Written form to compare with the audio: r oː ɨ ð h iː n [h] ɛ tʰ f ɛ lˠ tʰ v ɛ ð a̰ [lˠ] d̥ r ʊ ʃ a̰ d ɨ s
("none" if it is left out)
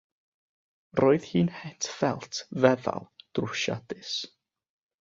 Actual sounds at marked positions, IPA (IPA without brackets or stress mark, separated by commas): h, lˠ